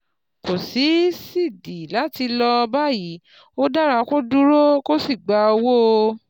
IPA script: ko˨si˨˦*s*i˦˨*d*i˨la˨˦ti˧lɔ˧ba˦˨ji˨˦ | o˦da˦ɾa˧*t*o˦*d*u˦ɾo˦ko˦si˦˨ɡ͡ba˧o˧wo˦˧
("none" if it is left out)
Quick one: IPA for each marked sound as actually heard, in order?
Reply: s, d, k, d

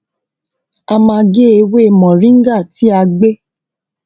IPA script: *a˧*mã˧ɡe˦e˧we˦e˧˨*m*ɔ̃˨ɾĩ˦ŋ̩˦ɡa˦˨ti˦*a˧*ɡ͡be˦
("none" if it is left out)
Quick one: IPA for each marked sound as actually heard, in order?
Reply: a˧, m, a˧

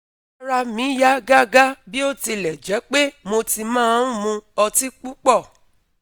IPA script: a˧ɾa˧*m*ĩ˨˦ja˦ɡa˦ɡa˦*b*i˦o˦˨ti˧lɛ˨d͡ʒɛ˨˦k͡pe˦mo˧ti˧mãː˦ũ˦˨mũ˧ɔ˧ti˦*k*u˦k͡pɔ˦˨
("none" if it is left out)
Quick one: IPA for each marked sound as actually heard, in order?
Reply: m, b, k͡p

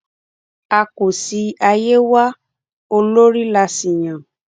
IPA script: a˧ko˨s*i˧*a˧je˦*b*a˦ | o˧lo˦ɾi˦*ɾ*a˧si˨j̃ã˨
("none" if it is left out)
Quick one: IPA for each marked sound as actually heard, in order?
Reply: i˧, w, l

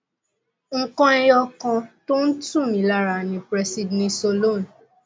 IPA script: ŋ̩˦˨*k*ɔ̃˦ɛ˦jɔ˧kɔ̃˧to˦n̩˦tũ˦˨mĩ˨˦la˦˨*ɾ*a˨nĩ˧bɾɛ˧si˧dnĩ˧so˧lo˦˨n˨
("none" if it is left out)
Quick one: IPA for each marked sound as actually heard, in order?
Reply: k, ɾ

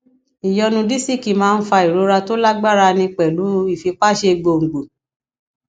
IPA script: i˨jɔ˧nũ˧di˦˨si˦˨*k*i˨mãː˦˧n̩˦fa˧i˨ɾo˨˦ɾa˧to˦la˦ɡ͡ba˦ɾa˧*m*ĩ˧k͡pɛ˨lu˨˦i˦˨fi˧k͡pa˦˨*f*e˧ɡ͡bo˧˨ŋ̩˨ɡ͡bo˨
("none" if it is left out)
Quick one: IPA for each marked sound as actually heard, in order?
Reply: k, n, ʃ

